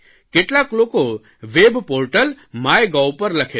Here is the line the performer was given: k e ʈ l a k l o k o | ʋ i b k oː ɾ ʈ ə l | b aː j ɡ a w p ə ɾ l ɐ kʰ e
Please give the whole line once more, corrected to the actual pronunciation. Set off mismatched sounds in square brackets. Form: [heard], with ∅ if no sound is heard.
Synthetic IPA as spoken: k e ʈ l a k l o k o | ʋ [e] b [p] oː ɾ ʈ ə l | [m] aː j ɡ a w p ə ɾ l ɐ kʰ e